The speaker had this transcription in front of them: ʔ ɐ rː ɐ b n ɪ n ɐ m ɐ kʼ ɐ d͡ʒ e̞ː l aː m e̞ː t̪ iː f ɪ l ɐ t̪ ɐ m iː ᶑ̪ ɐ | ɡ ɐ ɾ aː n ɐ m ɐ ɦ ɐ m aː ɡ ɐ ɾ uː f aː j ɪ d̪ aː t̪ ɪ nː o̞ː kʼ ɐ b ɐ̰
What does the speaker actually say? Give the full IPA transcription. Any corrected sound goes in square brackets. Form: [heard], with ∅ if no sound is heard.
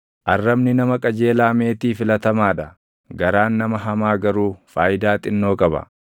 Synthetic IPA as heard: ʔ ɐ rː ɐ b n ɪ n ɐ m ɐ kʼ ɐ d͡ʒ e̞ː l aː m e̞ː t̪ iː f ɪ l ɐ t̪ ɐ m [aː] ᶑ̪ ɐ | ɡ ɐ ɾ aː [nː] ɐ m ɐ ɦ ɐ m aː ɡ ɐ ɾ uː f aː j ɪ d̪ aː [t̪ʼ] ɪ nː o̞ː kʼ ɐ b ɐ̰